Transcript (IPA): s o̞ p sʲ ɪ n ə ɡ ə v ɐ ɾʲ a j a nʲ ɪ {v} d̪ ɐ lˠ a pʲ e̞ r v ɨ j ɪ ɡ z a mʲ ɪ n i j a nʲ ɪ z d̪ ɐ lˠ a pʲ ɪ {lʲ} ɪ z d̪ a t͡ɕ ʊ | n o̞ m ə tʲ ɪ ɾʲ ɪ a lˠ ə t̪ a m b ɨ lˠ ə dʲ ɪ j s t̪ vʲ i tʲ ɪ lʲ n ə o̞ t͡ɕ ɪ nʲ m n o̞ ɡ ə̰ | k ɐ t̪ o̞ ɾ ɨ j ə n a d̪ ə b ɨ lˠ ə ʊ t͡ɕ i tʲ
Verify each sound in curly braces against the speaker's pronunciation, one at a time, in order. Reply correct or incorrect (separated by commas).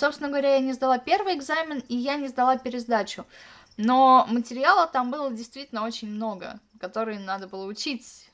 incorrect, incorrect